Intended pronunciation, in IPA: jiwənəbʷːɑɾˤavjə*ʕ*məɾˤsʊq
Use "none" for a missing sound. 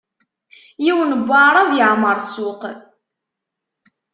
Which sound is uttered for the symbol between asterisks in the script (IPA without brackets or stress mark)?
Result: ʕ